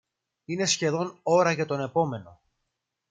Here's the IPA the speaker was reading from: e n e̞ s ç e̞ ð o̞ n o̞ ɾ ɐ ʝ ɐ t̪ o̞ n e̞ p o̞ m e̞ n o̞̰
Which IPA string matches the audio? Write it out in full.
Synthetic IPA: i n e̞ s ç e̞ ð o̞ n o̞ ɾ ɐ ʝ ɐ t̪ o̞ n e̞ p o̞ m e̞ n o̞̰